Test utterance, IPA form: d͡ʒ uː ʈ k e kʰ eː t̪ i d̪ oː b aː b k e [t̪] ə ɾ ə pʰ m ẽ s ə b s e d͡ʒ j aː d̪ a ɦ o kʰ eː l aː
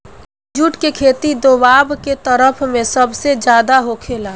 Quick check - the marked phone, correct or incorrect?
correct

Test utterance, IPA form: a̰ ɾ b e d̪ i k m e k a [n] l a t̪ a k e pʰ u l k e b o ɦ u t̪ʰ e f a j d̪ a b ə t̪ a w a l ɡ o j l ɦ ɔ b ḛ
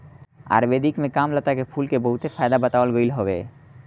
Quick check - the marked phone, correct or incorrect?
incorrect: m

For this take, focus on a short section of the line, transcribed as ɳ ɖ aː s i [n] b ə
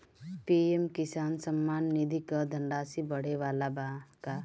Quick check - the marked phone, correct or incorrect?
incorrect: none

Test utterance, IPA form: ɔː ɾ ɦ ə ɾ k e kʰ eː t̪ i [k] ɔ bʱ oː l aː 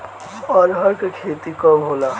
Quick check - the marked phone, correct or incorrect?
correct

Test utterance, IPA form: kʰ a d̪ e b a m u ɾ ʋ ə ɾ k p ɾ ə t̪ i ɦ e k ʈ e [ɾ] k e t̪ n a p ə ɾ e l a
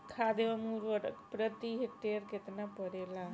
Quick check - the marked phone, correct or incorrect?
correct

